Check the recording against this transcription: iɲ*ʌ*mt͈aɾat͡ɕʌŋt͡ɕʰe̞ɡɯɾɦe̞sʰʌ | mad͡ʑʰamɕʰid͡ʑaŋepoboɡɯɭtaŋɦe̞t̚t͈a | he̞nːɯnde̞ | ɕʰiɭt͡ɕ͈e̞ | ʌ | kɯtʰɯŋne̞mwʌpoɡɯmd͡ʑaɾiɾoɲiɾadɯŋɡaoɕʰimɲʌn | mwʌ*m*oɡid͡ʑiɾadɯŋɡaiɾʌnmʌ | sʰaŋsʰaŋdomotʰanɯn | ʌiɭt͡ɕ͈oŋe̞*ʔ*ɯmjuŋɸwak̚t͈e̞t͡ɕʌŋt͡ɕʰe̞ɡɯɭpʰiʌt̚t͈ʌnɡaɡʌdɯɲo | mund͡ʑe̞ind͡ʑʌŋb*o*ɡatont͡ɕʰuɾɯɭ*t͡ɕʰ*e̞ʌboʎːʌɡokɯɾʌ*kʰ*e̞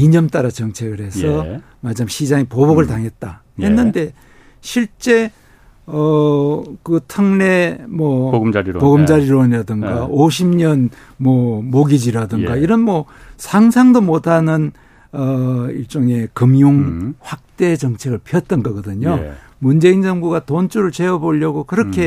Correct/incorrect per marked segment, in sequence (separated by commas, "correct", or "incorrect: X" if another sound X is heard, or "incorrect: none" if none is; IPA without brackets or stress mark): correct, correct, incorrect: k, incorrect: u, incorrect: t͡ɕ, correct